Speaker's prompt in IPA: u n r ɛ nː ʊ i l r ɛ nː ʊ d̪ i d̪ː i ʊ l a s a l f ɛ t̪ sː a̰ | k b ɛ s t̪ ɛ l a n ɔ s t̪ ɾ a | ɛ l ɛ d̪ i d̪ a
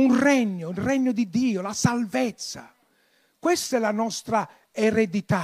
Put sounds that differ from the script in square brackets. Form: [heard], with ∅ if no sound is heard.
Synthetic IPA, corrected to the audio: u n r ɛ [ɲː] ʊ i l r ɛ [ɲː] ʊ d̪ i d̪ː [iː] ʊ l a s a l [v] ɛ t̪ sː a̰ | k [w] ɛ s t̪ ɛ l a n ɔ s t̪ ɾ a | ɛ [ɾ] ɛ d̪ i [t̪] a